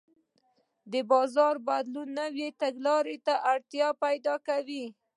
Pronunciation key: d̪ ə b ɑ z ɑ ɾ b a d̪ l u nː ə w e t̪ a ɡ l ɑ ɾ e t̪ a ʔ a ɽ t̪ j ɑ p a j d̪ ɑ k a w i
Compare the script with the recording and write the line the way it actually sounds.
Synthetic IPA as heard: d̪ ə b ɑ z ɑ ɾ b a d̪ l u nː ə w e t̪ a ɡ l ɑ ɾ e t̪ a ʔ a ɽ t̪ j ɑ p a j d̪ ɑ k a w i